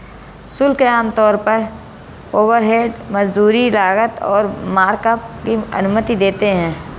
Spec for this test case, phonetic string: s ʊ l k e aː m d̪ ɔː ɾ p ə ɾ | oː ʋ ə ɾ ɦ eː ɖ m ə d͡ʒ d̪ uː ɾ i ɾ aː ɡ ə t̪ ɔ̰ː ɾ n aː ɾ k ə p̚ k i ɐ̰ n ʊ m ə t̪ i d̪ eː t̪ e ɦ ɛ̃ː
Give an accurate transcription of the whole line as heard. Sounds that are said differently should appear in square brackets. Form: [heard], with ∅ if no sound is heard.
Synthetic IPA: s ʊ l k e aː m [t̪] ɔː ɾ p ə ɾ | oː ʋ ə ɾ ɦ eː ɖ m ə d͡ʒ d̪ uː ɾ i [l] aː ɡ ə t̪ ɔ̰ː ɾ [m] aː ɾ k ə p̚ k i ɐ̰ n ʊ m ə t̪ i d̪ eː t̪ e ɦ ɛ̃ː